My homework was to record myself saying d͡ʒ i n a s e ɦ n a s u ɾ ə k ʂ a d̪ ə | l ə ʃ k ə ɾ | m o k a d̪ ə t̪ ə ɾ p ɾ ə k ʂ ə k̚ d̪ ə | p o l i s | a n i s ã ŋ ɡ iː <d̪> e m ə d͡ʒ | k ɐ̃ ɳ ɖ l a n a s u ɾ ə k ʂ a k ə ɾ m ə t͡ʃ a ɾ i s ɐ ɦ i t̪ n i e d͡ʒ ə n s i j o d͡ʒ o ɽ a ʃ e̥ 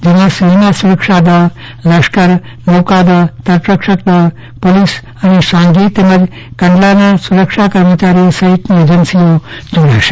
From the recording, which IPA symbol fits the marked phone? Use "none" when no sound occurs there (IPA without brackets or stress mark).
t̪